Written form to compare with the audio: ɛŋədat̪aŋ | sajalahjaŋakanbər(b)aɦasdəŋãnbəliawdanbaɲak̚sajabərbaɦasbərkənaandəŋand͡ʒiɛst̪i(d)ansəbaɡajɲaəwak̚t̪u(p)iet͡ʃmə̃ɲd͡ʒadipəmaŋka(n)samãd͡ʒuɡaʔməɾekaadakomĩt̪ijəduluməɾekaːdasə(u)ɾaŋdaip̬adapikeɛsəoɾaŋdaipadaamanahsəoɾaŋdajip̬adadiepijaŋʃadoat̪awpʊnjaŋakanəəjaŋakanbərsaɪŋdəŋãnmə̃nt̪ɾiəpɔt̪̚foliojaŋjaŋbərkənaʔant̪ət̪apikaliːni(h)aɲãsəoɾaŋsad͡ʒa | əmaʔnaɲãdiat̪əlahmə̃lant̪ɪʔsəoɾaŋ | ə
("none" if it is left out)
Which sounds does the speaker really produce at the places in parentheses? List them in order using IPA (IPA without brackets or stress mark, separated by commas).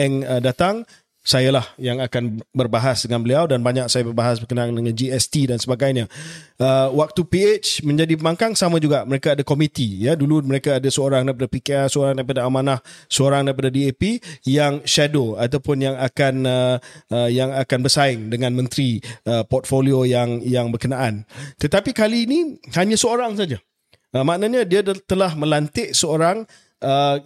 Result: b, d, p, ŋ, o, h